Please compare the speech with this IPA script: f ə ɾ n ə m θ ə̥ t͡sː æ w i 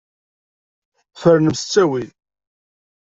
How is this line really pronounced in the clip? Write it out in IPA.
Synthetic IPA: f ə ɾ n ə m s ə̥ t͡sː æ w i